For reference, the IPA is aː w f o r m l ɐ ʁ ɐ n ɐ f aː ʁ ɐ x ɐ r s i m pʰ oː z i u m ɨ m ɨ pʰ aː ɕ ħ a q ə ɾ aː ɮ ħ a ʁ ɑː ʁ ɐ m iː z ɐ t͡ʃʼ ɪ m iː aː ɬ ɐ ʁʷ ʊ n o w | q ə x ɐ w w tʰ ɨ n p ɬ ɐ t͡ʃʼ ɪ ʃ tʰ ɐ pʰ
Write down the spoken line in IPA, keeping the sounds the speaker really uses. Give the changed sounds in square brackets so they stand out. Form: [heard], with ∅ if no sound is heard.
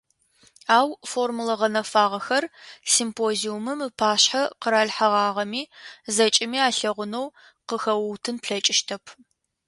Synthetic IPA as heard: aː w f o r m l ɐ ʁ ɐ n ɐ f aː ʁ ɐ x ɐ r s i m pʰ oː z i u m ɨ m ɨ pʰ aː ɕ ħ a q ə ɾ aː ɮ ħ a ʁ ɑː ʁ ɐ m iː z ɐ t͡ʃʼ ɪ m iː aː ɬ ɐ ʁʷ ʊ n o w | q ə x ɐ w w tʰ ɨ n p ɬ ɐ t͡ʃʼ ɪ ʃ tʰ ɐ pʰ